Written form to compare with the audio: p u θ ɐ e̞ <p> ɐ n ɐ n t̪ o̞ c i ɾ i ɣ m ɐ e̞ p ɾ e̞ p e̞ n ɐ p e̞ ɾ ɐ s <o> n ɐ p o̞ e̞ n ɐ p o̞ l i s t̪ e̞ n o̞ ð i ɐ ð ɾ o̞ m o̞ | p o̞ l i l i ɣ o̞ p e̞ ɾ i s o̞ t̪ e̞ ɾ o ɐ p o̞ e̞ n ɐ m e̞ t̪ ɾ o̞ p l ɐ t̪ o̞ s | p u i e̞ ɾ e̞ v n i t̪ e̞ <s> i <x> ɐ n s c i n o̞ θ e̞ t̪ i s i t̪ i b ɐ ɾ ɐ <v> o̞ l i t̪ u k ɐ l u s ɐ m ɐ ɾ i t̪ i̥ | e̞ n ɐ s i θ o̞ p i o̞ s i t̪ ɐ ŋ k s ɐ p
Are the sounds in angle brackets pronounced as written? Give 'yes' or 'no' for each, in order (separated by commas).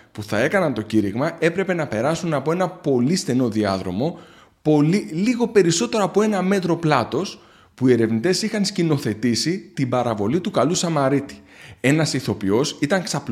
no, no, yes, yes, yes